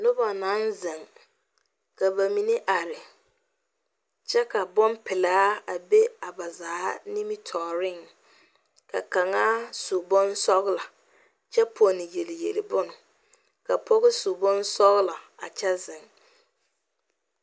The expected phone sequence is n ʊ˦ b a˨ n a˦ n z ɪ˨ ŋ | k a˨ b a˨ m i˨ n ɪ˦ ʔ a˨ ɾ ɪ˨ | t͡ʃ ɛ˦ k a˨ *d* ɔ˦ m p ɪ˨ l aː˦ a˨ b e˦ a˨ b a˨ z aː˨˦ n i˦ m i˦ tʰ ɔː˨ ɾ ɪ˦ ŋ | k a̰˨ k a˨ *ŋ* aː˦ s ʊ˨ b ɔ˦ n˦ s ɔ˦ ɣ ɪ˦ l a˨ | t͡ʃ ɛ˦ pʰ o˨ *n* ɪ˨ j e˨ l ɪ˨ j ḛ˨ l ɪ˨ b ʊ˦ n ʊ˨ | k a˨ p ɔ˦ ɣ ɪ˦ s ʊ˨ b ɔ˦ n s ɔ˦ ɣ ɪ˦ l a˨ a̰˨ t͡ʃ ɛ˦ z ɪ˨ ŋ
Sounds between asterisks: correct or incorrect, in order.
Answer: incorrect, correct, correct

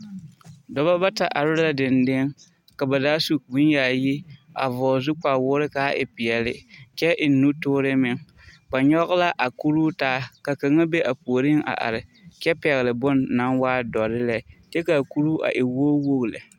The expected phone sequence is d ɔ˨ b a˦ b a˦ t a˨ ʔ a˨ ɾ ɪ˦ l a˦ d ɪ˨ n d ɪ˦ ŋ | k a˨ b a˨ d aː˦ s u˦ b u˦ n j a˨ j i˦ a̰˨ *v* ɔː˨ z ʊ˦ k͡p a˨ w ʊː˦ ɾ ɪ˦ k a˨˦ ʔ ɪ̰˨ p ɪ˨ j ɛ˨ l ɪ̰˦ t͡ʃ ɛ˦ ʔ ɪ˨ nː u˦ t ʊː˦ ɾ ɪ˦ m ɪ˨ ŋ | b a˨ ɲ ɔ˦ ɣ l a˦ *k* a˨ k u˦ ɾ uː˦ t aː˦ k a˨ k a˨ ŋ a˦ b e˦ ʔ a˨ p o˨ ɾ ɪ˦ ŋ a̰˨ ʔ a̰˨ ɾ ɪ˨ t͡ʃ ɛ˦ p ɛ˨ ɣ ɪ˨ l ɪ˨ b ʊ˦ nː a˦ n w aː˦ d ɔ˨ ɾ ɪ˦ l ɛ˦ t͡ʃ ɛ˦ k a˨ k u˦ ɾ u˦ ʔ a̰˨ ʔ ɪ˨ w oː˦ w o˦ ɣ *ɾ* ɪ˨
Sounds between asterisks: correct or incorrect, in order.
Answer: correct, incorrect, incorrect

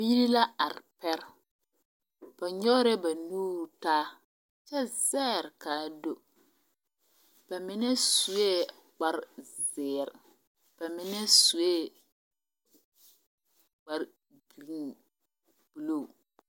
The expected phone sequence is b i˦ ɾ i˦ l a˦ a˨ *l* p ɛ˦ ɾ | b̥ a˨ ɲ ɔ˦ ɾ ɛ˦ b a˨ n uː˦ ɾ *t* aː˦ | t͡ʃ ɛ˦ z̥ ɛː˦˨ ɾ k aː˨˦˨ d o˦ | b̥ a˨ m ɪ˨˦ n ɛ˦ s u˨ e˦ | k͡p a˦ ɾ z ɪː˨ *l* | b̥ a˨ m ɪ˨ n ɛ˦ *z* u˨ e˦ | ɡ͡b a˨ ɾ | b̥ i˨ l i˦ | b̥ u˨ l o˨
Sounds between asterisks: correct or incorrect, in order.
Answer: incorrect, correct, incorrect, incorrect

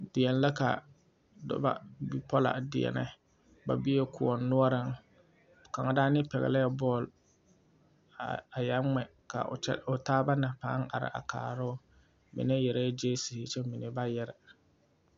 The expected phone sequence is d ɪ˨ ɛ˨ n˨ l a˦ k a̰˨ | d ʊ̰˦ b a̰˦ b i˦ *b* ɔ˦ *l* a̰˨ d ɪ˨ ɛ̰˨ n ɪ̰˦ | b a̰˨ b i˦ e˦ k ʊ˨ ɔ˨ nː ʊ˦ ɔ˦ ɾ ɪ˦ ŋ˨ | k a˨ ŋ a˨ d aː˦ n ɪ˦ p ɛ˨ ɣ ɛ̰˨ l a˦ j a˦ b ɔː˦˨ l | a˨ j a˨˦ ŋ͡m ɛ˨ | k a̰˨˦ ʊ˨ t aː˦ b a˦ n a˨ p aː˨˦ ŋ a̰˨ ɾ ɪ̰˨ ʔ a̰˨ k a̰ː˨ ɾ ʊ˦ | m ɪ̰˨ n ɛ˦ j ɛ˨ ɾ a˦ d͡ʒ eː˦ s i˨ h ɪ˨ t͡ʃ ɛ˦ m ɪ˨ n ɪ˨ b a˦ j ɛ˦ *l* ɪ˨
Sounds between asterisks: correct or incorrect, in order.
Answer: incorrect, correct, incorrect

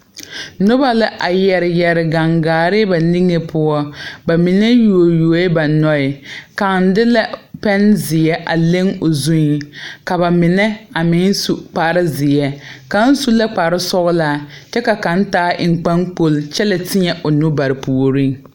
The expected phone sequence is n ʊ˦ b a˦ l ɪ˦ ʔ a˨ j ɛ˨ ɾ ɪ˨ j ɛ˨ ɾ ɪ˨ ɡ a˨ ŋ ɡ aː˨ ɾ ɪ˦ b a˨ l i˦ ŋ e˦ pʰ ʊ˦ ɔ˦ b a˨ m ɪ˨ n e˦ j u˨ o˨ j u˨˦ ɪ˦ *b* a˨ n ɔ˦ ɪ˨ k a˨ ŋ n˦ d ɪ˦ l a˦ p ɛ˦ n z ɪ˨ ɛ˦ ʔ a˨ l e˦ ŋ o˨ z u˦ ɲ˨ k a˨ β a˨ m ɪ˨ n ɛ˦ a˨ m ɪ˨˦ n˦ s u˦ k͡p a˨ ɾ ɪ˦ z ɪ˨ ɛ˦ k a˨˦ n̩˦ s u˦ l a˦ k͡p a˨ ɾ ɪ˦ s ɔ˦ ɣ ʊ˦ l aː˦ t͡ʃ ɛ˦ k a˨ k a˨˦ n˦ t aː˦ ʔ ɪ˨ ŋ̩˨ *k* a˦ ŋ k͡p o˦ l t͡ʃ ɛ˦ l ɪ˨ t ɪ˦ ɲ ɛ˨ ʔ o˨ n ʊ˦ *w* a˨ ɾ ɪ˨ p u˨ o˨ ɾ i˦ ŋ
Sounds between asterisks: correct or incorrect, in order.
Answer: correct, incorrect, incorrect

